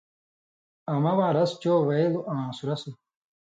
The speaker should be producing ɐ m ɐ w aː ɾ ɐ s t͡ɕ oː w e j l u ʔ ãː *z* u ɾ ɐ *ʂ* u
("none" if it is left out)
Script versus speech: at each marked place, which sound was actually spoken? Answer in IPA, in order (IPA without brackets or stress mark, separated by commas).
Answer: s, s